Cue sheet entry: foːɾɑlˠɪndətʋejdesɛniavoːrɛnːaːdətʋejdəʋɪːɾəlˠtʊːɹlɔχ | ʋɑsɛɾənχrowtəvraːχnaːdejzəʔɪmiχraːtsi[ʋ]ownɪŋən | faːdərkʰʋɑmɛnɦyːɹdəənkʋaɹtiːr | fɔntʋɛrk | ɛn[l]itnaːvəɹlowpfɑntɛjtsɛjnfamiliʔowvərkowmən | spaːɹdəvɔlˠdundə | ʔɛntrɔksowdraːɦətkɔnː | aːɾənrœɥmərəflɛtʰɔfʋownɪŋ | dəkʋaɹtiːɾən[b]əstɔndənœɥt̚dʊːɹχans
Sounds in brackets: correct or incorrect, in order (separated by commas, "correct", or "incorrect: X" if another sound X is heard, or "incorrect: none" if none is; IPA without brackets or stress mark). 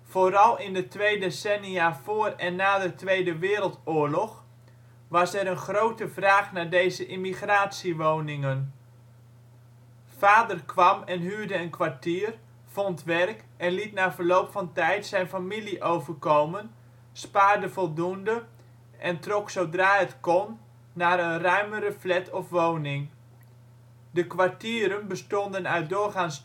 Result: correct, correct, correct